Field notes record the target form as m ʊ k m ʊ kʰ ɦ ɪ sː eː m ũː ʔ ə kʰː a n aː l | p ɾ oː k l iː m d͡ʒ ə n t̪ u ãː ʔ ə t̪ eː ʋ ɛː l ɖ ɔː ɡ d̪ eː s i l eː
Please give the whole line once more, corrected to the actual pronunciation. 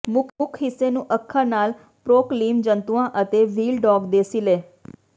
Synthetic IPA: m ʊ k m ʊ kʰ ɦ ɪ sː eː n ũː ʔ ə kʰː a n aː l | p ɾ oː k l iː m d͡ʒ ə n t̪ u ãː ʔ ə t̪ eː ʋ iː l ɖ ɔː ɡ d̪ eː s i l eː

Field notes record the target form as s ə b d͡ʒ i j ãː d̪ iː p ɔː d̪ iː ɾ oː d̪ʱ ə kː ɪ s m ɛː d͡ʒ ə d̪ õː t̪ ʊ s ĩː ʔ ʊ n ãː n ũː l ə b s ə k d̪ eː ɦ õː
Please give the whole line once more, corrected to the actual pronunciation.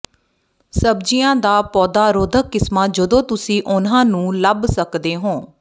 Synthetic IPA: s ə b d͡ʒ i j ãː d̪ aː p ɔː d̪ aː ɾ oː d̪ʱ ə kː ɪ s m aː d͡ʒ ə d̪ õː t̪ ʊ s ĩː ʔ ʊ n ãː n ũː l ə b s ə k d̪ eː ɦ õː

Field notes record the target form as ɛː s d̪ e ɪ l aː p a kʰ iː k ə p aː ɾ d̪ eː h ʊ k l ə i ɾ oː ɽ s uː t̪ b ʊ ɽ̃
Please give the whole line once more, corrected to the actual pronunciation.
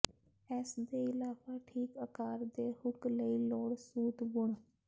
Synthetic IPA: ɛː s d̪ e ɪ l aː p a ʈʰ iː k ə k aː ɾ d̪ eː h ʊ k l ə i l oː ɽ s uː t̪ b ʊ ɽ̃

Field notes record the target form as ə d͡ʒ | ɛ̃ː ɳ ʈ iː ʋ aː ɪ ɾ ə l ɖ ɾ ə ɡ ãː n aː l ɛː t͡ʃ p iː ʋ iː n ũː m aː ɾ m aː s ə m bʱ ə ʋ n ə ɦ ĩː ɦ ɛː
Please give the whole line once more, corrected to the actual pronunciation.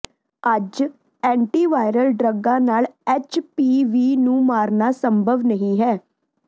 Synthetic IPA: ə d͡ʒ | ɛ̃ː ɳ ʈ iː ʋ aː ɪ ɾ ə l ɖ ɾ ə ɡ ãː n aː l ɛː t͡ʃ p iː ʋ iː n ũː m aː ɾ n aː s ə m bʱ ə ʋ n ə ɦ ĩː ɦ ɛː

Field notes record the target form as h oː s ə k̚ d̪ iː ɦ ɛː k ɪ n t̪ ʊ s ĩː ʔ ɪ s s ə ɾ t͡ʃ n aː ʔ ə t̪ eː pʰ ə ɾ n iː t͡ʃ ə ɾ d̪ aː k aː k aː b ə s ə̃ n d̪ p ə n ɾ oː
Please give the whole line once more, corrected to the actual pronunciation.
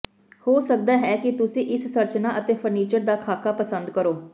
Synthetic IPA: h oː s ə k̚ d̪ aː ɦ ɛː k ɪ t̪ ʊ s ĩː ʔ ɪ s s ə ɾ t͡ʃ n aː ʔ ə t̪ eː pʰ ə ɾ n iː t͡ʃ ə ɾ d̪ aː kʰ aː k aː p ə s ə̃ n d̪ k ə ɾ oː

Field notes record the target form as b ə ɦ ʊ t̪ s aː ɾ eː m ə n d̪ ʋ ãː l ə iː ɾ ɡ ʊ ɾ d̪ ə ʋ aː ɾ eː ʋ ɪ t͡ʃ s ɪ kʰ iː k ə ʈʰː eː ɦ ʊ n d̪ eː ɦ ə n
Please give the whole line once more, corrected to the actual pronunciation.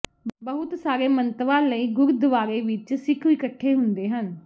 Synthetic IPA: b ə ɦ ʊ t̪ s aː ɾ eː m ə n t̪ ʋ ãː l ə iː ɡ ʊ ɾ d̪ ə ʋ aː ɾ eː ʋ ɪ t͡ʃ s ɪ kʰ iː k ə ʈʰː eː ɦ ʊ n d̪ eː ɦ ə n

